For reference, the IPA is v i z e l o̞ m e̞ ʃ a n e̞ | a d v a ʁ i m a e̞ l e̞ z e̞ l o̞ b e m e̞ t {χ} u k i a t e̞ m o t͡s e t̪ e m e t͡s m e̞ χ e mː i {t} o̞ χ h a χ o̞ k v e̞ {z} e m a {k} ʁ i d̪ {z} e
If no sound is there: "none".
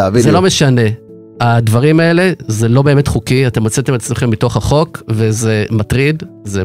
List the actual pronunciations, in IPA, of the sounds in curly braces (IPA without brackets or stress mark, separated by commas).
χ, t, z, t, z